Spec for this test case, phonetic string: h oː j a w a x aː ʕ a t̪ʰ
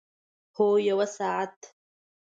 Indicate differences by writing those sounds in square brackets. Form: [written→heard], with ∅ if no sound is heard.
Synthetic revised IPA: h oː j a w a [x→s] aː ʕ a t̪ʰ